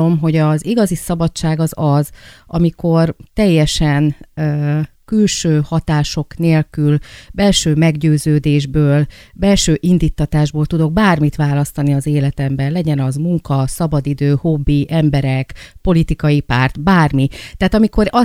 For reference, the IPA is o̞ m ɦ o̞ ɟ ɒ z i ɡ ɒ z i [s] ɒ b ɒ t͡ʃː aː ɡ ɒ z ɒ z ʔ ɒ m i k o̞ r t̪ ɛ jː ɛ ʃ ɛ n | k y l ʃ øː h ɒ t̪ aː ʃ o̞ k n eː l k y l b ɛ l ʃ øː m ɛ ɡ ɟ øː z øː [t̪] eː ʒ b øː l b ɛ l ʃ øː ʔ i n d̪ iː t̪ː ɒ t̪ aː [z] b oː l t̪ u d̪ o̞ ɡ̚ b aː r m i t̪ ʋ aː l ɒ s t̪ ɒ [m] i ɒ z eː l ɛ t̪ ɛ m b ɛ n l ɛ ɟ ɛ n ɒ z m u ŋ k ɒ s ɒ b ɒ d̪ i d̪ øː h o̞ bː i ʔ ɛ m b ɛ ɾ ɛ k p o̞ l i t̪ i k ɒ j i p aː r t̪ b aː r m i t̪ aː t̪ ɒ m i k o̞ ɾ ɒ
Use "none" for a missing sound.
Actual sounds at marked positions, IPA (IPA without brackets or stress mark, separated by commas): s, d̪, ʒ, n